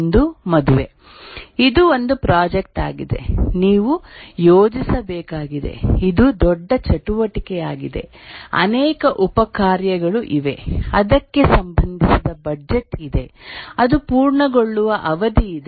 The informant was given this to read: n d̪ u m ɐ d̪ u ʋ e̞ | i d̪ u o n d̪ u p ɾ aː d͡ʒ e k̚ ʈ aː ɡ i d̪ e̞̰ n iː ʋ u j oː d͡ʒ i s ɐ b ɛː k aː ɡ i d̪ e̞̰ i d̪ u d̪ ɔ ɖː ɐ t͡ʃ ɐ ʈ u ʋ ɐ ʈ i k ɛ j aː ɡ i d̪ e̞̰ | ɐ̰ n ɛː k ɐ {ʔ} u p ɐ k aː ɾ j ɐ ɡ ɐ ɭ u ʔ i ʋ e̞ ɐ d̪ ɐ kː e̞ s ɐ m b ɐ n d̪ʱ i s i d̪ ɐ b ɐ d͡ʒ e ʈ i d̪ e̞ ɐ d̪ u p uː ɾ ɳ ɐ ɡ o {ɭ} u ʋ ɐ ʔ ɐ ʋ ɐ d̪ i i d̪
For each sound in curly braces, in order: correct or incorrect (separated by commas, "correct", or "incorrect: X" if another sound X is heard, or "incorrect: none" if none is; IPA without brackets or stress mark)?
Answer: correct, incorrect: ɭː